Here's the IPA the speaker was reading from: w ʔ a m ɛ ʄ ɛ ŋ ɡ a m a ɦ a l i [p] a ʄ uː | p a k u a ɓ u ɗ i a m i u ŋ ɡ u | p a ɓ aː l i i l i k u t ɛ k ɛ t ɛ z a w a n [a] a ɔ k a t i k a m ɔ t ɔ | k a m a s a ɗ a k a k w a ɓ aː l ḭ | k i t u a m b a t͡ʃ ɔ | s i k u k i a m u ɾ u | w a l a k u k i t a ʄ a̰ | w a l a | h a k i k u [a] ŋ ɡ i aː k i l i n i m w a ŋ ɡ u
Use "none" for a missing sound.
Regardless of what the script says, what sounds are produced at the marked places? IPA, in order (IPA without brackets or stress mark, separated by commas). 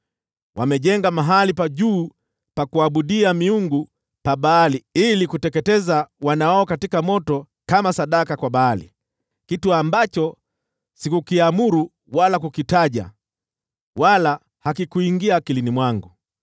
p, a, i